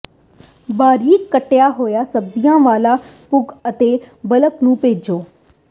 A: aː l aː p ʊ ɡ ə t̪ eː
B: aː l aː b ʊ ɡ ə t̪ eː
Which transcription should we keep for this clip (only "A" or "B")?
A